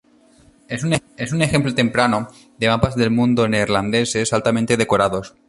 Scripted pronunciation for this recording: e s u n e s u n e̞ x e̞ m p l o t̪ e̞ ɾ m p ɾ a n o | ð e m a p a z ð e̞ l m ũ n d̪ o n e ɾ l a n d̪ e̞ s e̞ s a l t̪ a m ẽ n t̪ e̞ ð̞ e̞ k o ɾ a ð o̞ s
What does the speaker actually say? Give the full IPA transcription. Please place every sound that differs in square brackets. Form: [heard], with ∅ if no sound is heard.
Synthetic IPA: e s u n e s u n e̞ x e̞ m p l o t̪ e̞ [∅] m p ɾ a n o | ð e m a p a z ð e̞ l m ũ n d̪ o n e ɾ l a n d̪ e̞ s e̞ s a l t̪ a m ẽ n t̪ e̞ ð̞ e̞ k o ɾ a ð o̞ s

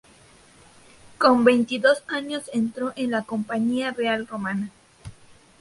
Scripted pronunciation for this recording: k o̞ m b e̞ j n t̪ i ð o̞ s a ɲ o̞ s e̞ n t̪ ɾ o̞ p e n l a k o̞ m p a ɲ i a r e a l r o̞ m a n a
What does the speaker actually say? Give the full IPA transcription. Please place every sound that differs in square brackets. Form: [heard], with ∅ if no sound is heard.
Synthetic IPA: k o̞ m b e̞ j n t̪ i ð o̞ s a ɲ o̞ s e̞ n t̪ ɾ o̞ [ʔ] e n l a k o̞ m p a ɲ i a r e a l r o̞ m a n a

